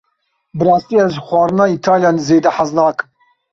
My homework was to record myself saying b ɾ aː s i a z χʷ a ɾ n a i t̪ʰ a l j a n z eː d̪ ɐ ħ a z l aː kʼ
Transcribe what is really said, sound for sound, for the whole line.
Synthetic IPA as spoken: b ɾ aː s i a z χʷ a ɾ n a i t̪ʰ a l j a n z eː d̪ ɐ ħ a z l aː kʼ